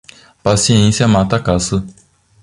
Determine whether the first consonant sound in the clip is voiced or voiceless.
voiceless